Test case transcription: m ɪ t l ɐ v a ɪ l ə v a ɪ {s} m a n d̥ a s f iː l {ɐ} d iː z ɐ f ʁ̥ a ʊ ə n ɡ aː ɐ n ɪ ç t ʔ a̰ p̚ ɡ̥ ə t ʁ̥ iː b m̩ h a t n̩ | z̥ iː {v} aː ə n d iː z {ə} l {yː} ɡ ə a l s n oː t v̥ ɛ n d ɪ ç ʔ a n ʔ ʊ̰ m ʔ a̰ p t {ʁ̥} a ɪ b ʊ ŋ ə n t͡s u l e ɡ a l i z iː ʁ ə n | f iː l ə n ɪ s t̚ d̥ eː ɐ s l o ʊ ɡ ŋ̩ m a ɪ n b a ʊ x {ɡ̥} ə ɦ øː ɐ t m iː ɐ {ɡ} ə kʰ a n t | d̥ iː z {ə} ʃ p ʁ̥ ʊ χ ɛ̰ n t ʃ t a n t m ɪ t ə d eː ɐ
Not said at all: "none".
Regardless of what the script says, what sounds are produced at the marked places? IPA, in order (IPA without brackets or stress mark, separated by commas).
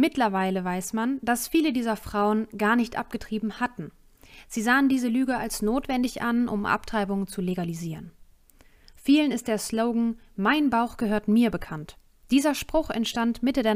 s, ə, z, ə, yː, ʁ̥, ɡ̥, b, ɐ